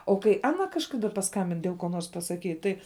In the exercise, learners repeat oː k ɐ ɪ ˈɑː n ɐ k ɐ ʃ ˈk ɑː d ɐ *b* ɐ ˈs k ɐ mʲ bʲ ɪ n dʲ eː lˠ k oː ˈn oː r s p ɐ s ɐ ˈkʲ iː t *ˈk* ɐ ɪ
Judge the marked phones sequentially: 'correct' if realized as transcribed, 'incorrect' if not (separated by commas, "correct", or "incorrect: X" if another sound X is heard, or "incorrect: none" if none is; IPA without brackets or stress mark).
incorrect: p, incorrect: t